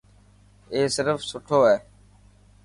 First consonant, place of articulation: alveolar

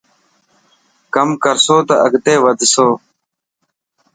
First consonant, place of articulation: velar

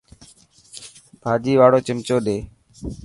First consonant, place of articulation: labial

